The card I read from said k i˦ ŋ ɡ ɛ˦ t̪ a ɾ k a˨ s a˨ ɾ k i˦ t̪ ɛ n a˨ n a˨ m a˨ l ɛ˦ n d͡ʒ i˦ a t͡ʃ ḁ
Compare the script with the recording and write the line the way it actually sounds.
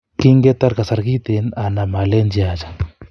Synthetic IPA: k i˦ ŋ ɡ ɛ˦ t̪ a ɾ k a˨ s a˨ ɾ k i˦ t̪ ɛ n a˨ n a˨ m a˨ l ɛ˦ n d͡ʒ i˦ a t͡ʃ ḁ